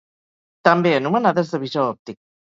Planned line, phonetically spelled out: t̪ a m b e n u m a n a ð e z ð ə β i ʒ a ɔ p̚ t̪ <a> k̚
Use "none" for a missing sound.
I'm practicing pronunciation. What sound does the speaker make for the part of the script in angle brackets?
i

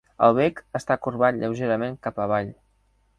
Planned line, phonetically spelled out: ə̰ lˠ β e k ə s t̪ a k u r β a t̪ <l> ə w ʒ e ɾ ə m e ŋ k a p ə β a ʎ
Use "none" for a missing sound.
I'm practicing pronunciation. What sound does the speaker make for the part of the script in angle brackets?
ʎ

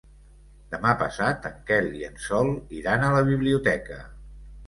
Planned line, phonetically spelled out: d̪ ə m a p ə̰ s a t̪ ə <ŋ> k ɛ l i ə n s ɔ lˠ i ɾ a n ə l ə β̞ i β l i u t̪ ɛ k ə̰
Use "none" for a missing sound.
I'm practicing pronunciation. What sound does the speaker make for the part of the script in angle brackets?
ŋ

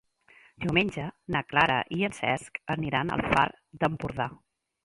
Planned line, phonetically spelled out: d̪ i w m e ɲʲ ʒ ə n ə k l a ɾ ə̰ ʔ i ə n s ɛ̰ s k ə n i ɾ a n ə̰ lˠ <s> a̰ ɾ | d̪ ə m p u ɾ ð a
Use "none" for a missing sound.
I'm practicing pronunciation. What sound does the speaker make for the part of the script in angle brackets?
f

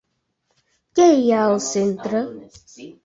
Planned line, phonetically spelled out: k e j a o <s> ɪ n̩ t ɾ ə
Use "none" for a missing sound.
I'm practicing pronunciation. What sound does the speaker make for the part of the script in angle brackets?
s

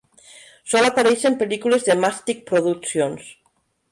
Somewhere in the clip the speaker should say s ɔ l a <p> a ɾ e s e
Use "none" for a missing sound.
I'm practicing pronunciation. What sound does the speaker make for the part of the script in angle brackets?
p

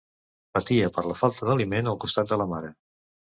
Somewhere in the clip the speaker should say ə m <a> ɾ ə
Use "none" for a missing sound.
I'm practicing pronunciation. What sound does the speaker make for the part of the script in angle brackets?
a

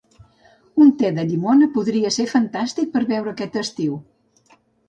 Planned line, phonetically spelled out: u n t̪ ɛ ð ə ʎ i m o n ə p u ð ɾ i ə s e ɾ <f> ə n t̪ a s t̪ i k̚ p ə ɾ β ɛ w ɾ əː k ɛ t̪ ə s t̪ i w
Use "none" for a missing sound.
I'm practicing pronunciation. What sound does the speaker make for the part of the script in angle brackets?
f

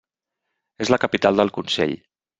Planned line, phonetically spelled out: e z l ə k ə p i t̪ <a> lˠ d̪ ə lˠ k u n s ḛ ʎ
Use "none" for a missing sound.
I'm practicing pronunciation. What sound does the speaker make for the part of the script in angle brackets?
a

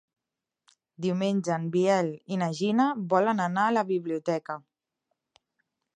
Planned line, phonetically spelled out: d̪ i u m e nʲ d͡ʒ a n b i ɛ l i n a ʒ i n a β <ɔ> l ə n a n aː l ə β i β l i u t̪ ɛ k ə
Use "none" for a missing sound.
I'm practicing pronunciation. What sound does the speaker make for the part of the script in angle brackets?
ɔ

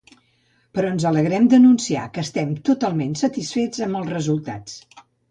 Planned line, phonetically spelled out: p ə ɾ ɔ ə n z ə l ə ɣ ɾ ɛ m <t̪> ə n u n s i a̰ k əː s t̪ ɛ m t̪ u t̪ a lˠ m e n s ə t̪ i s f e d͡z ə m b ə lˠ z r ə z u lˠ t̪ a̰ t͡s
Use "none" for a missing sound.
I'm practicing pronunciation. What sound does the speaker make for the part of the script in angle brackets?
d̪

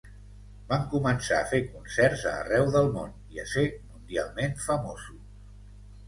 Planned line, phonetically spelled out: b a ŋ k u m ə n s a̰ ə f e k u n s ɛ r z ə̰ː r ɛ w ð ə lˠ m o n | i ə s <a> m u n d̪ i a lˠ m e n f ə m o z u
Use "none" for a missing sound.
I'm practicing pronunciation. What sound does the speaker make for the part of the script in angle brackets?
e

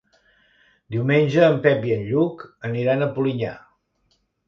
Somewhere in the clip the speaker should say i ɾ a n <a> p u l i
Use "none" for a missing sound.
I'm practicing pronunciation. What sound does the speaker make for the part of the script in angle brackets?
ə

